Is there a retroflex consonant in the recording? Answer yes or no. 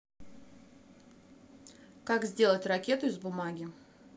no